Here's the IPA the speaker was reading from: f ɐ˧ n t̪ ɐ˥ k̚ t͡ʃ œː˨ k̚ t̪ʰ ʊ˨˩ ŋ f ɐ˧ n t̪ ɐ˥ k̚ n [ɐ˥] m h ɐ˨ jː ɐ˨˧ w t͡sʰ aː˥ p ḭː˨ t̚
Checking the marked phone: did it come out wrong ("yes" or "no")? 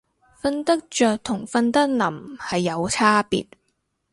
yes